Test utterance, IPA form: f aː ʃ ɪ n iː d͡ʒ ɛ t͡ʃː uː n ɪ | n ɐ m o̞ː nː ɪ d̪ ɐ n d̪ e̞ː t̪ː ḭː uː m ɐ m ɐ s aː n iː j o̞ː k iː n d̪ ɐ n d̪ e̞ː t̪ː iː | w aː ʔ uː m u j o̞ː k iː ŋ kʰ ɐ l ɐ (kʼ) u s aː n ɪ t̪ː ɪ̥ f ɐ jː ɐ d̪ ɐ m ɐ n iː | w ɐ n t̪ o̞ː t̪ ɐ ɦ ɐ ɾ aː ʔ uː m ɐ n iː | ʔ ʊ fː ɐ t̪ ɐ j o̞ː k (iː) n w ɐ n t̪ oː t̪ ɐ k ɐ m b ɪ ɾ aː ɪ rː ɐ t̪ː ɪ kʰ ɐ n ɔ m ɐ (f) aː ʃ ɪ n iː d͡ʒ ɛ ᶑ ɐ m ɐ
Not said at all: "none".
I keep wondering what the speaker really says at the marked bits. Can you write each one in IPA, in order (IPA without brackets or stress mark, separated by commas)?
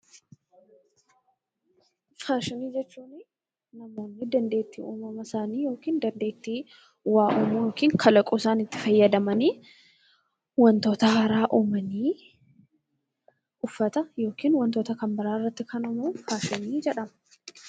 kʼ, iː, f